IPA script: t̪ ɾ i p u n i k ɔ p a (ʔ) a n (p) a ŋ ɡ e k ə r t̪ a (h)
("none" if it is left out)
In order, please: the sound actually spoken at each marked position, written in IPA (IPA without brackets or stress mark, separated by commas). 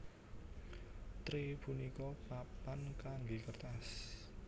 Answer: p, k, s